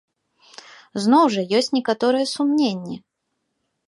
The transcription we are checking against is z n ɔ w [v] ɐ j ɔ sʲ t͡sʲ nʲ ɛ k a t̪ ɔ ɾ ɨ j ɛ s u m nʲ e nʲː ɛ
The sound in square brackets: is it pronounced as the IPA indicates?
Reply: no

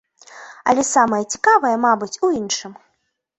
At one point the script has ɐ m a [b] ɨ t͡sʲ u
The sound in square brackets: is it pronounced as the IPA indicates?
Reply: yes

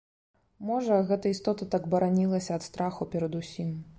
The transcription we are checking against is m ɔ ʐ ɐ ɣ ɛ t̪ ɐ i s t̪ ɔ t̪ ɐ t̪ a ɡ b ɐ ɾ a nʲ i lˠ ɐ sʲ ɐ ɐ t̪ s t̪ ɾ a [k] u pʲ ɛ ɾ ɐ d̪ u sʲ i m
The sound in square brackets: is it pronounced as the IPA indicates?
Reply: no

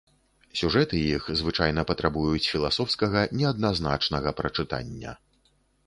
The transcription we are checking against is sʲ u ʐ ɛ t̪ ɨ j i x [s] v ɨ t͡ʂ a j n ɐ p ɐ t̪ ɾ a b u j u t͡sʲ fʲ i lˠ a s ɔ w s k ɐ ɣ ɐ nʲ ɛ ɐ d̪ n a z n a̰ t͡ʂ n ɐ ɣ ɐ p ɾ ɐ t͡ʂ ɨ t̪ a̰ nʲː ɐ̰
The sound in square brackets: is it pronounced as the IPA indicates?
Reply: no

